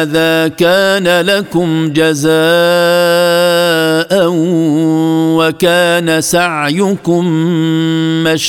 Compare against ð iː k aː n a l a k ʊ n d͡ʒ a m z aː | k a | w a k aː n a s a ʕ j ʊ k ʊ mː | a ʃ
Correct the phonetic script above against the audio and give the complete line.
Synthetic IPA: ð aː k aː n a l a k ʊ m d͡ʒ a z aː | ʔ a | w a k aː n a s a ʕ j ʊ k ʊ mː | a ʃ